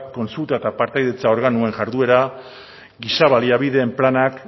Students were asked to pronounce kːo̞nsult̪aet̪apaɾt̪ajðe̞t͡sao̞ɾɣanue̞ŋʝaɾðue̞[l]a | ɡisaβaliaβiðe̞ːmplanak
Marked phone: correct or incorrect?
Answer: incorrect: ɾ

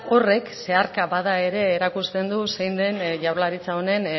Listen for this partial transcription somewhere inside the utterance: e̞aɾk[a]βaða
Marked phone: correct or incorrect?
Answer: correct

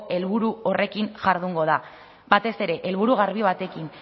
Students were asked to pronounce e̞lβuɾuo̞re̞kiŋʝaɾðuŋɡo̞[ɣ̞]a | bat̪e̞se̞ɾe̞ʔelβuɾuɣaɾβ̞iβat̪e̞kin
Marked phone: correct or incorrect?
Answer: incorrect: ð̞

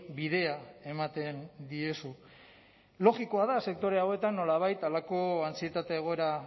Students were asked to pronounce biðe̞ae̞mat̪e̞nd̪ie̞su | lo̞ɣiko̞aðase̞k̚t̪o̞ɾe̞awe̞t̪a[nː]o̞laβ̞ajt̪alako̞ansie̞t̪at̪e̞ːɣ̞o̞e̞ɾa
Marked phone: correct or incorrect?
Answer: correct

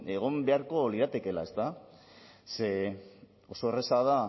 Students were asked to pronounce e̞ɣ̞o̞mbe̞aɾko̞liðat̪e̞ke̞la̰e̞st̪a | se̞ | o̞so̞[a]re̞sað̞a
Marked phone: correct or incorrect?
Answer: incorrect: e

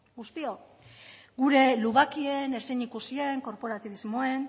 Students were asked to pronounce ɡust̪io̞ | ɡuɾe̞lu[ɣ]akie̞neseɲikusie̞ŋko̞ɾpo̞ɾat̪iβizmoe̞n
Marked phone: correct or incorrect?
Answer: correct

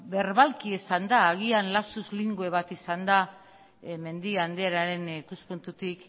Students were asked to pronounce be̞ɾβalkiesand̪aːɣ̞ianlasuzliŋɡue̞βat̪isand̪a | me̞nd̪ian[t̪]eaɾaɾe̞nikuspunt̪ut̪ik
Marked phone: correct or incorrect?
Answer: incorrect: d̪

